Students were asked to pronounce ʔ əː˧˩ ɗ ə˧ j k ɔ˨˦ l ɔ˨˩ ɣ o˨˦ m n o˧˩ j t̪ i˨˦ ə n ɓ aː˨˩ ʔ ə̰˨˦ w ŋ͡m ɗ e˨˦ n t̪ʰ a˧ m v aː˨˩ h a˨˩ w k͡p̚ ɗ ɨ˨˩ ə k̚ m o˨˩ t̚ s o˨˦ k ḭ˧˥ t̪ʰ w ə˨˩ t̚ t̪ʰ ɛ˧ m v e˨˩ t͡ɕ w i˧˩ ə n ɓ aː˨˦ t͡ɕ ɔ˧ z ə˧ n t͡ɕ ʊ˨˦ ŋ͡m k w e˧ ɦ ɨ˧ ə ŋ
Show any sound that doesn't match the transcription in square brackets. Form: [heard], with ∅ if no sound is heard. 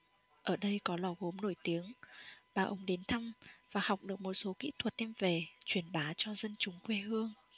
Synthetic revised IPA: ʔ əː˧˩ ɗ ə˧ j k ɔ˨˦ l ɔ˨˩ ɣ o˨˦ m n o˧˩ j t̪ i˨˦ ə [ŋ] ɓ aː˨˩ ʔ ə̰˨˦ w ŋ͡m ɗ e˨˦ n t̪ʰ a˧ m v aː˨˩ h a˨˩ w k͡p̚ ɗ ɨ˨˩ ə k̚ m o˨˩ t̚ s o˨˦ k ḭ˧˥ t̪ʰ w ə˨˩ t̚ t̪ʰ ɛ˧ m v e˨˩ t͡ɕ w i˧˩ ə n ɓ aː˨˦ t͡ɕ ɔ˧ z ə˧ n t͡ɕ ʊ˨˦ ŋ͡m k w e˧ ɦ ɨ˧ ə ŋ